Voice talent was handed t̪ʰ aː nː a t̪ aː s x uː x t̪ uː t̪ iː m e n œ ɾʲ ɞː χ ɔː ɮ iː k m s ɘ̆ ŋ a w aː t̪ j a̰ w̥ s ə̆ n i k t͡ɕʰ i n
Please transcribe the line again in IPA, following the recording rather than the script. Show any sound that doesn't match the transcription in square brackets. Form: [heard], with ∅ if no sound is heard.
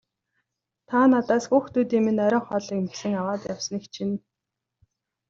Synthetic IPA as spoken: t̪ʰ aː [n] a t̪ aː s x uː x t̪ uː t̪ iː m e n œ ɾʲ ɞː χ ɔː ɮ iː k m s ɘ̆ ŋ a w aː t̪ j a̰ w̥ s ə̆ n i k t͡ɕʰ i n

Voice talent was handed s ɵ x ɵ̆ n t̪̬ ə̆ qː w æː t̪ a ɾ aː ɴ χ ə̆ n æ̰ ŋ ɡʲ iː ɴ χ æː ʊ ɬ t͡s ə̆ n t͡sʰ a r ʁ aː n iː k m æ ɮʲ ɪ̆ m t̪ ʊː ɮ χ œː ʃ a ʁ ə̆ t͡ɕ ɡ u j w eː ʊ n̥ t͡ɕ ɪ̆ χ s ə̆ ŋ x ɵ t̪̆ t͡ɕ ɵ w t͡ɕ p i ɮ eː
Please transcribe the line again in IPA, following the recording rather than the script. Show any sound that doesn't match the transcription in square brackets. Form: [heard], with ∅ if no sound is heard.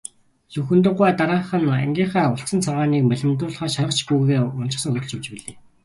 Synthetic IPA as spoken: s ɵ x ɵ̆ n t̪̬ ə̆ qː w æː t̪ a ɾ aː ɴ χ ə̆ n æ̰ ŋ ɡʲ iː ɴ χ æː ʊ ɬ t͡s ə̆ n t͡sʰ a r ʁ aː n iː k m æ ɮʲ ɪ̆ m t̪ ʊː ɮ χ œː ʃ a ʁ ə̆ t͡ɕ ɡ u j [ɣ] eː ʊ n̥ t͡ɕ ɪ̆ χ s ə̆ ŋ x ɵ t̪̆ t͡ɕ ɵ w t͡ɕ p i ɮ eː

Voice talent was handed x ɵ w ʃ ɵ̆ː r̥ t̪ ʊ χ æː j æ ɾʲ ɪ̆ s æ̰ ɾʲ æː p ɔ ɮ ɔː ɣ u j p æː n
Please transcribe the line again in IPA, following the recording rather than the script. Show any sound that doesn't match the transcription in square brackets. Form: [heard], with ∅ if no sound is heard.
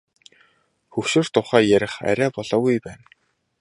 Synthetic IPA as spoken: x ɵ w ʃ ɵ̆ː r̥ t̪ ʊ χ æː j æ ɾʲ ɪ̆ [χ] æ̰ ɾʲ æː p ɔ ɮ ɔː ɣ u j p æː n

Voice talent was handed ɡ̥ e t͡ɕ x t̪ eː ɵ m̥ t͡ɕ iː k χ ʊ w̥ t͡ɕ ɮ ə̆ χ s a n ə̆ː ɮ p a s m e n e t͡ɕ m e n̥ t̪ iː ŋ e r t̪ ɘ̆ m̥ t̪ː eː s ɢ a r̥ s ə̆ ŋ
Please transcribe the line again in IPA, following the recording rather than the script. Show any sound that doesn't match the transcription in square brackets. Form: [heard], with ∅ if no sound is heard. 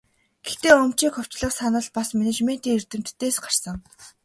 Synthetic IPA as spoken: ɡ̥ e [∅] x t̪ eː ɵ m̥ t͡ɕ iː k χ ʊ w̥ t͡ɕ ɮ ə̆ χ s a n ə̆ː ɮ p a s m e n e t͡ɕ m e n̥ t̪ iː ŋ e r t̪ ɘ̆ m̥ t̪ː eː s ɢ a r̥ s ə̆ ŋ

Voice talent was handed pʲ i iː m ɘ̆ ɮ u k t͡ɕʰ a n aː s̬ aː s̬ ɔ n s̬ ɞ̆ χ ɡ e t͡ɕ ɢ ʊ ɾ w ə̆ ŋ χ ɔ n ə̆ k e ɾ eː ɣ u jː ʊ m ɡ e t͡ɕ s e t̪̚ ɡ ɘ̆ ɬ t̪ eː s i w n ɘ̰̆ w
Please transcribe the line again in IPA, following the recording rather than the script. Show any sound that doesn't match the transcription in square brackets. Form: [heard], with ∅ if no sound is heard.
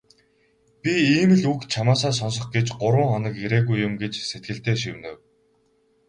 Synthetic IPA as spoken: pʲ i iː m ɘ̆ ɮ u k t͡ɕʰ a [m] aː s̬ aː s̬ ɔ n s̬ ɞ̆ χ ɡ e t͡ɕ ɢ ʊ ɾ w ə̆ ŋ χ ɔ n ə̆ k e ɾ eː ɣ u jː ʊ m ɡ e t͡ɕ s e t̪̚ ɡ ɘ̆ ɬ t̪ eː [ʃ] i w n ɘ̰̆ w

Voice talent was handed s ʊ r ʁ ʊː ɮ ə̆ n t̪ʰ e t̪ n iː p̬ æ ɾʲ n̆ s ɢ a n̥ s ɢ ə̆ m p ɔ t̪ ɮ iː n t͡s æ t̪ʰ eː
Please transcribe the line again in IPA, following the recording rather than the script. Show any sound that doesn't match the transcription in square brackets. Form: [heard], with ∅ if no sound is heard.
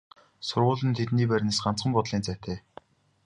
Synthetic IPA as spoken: s ʊ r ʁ ʊː ɮ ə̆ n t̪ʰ e t̪ n iː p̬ æ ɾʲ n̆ s ɢ a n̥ [t͡s] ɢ ə̆ m p ɔ t̪ ɮ iː n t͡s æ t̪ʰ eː

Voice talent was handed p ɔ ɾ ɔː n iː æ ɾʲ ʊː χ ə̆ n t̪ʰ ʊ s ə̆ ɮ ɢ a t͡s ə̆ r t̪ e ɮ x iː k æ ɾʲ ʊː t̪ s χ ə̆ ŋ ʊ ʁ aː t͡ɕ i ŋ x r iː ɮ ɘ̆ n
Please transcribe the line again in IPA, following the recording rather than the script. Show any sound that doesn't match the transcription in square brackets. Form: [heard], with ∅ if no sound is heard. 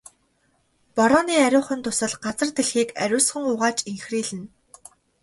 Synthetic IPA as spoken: p ɔ ɾ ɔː n iː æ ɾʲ ʊː χ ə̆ n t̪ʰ ʊ s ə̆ ɮ ɢ a t͡s ə̆ r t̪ e ɮ x iː k æ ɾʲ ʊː [∅] s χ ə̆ ŋ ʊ ʁ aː t͡ɕ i ŋ x r iː ɮ ɘ̆ n

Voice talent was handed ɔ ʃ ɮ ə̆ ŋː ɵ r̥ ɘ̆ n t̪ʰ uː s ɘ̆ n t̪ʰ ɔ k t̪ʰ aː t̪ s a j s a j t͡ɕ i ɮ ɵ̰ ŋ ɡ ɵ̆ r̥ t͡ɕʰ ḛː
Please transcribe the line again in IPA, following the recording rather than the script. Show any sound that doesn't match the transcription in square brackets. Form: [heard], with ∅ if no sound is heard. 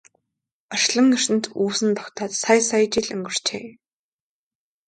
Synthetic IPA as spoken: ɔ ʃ ɮ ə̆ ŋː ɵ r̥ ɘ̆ n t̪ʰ uː s ɘ̆ n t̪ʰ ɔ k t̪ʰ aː t̪ s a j s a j t͡ɕ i ɮ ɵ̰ ŋ ɡ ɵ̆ r̥ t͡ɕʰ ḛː

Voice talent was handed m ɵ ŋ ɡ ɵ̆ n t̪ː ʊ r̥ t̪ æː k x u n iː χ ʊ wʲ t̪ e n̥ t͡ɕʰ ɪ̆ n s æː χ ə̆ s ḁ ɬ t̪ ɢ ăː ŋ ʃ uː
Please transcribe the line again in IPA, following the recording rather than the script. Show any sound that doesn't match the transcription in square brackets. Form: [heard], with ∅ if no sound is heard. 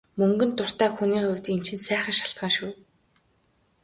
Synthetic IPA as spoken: m ɵ ŋ ɡ ɵ̆ n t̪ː ʊ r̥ t̪ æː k x u n iː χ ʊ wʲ t̪ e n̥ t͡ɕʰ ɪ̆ n s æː χ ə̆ [ʃ] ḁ ɬ t̪ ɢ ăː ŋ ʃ uː

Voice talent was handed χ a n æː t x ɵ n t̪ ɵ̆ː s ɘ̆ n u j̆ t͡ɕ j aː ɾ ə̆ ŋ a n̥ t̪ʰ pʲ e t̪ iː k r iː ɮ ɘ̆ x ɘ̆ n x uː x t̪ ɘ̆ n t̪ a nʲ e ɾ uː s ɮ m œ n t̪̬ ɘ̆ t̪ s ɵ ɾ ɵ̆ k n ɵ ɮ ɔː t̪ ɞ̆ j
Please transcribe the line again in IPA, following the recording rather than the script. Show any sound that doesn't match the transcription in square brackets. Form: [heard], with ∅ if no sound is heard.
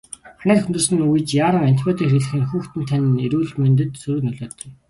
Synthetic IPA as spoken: χ a n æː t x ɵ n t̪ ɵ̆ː s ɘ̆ n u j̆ t͡ɕ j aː ɾ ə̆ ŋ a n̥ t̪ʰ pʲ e t̪ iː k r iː ɮ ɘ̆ x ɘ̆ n x uː x t̪ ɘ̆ n [t̪ʰ] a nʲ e ɾ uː [∅] ɮ m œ n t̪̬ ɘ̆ t̪ s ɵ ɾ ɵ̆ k n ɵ ɮ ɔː t̪ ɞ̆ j

